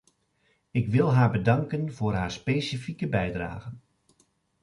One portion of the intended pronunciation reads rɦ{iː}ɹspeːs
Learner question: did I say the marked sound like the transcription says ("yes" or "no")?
no